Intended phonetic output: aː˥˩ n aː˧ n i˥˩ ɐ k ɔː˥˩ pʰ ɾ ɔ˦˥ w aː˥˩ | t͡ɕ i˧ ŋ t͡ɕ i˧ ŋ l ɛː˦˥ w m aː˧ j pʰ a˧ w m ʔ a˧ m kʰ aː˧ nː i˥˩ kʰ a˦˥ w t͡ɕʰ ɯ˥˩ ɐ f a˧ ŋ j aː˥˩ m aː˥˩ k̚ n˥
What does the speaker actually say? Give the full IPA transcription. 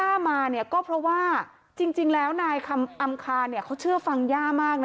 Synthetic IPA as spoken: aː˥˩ m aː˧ n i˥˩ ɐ k ɔː˥˩ pʰ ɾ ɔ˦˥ w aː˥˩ | t͡ɕ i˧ ŋ t͡ɕ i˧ ŋ l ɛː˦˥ w n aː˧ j kʰ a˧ m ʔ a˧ m kʰ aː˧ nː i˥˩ kʰ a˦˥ w t͡ɕʰ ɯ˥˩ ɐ f a˧ ŋ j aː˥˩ m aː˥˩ k̚ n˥